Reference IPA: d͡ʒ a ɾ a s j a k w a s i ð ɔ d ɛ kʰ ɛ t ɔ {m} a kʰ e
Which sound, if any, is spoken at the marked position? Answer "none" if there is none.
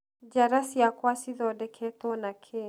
n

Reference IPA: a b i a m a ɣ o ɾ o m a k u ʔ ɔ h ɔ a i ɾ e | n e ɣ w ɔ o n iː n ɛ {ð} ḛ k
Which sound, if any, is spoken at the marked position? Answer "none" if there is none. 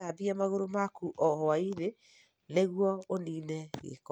ɣ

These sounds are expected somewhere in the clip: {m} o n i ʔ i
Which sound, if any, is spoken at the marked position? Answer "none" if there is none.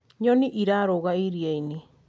ɲ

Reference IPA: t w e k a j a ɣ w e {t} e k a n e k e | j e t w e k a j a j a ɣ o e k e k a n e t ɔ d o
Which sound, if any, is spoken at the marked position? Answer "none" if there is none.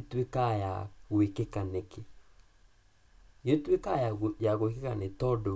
k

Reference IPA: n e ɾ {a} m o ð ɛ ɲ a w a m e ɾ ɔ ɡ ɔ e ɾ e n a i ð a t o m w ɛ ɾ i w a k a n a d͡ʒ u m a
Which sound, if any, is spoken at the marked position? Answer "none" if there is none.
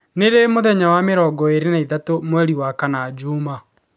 e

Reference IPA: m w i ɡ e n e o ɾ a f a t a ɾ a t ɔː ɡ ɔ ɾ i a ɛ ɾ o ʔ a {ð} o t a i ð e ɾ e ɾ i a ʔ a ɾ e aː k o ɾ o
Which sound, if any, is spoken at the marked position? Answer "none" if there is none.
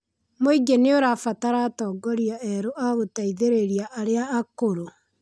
ɣ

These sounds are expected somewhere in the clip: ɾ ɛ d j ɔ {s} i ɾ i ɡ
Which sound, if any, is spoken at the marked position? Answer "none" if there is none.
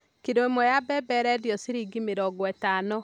s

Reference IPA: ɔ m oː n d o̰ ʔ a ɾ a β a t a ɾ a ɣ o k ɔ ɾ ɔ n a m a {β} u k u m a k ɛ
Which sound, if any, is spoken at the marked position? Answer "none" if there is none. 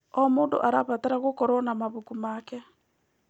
β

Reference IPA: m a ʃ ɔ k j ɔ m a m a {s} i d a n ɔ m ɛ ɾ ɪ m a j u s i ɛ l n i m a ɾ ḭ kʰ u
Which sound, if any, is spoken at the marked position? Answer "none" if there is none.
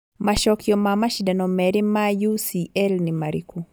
ʃ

